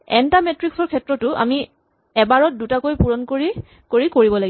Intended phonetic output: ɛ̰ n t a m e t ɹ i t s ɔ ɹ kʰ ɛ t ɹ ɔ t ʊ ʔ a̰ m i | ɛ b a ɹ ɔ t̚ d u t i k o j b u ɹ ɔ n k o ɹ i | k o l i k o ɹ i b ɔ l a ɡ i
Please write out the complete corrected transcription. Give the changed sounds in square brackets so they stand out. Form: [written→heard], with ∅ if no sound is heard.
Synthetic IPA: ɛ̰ n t a m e t ɹ i [t→k] s ɔ ɹ kʰ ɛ t ɹ ɔ t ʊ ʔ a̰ m i | ɛ b a ɹ ɔ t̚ d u t [i→a] k o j [b→p] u ɹ ɔ n k o ɹ i | k o [l→ɹ] i k o ɹ i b ɔ l a ɡ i